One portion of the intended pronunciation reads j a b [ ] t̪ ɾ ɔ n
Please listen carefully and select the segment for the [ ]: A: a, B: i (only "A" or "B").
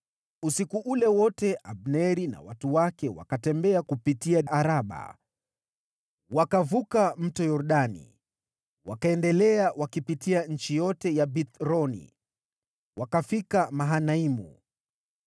B